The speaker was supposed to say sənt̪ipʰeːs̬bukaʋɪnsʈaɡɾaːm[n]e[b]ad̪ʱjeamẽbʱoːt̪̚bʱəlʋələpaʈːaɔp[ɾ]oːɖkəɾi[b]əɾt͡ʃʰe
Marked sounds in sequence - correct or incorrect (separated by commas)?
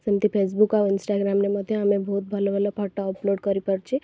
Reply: correct, incorrect, incorrect, incorrect